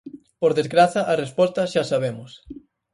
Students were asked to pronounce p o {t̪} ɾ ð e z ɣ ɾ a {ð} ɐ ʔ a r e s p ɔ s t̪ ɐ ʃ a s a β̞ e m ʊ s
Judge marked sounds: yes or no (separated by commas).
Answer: no, no